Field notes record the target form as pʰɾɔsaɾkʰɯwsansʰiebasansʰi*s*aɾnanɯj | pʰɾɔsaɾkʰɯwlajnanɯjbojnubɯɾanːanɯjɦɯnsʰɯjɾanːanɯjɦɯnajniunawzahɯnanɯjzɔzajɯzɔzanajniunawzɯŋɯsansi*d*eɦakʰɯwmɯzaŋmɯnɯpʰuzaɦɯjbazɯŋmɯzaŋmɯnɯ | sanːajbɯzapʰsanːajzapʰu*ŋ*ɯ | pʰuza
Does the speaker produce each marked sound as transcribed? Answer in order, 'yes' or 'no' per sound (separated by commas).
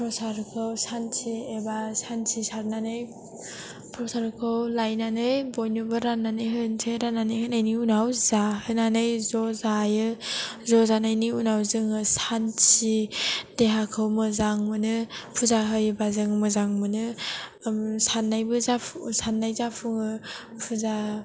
yes, yes, yes